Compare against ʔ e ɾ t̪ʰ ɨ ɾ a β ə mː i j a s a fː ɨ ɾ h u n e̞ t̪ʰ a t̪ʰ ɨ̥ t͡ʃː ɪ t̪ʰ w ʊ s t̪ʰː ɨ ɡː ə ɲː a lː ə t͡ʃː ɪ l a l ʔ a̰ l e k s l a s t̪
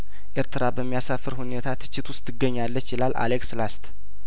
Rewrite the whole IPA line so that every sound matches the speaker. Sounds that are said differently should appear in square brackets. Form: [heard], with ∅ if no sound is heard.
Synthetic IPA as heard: ʔ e ɾ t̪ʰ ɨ ɾ a [b] ə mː i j a s a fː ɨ ɾ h u n e̞ t̪ʰ a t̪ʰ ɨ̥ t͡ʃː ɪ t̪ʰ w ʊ s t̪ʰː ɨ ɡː ə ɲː a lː ə t͡ʃː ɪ l a l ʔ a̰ l e k s l a s t̪